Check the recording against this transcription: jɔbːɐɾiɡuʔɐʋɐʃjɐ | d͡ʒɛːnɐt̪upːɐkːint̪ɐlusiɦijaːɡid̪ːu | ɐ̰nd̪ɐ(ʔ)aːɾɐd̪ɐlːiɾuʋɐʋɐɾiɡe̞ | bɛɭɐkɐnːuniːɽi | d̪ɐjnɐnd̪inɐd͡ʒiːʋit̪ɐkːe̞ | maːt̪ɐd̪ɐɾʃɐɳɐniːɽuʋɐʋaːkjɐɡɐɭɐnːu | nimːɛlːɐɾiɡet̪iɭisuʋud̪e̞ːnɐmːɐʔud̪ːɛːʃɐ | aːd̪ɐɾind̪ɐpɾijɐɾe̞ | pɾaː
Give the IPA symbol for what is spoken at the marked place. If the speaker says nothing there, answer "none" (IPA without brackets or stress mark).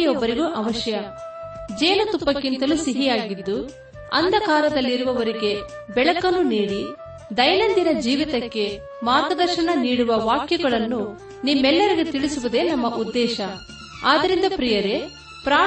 k